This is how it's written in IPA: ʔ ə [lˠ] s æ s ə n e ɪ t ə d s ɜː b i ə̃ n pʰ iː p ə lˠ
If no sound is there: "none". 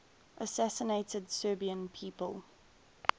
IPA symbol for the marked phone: none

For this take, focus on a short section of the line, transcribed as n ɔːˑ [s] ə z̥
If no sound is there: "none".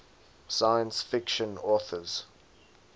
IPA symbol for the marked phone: θ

